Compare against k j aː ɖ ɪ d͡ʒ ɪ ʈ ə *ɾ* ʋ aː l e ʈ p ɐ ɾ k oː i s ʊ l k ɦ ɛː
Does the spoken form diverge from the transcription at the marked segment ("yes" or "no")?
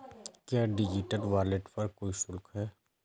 yes